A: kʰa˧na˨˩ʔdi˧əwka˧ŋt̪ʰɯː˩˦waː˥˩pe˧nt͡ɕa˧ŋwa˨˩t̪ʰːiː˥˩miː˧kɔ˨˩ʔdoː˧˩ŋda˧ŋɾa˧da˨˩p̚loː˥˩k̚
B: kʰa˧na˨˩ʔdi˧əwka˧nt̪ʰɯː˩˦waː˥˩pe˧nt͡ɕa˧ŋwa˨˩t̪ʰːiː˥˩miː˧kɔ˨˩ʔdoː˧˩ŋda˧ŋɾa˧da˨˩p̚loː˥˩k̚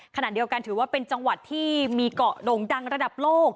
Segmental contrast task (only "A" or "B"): B